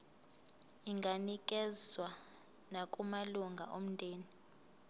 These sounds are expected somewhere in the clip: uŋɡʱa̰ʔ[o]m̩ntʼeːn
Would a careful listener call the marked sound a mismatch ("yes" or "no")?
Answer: no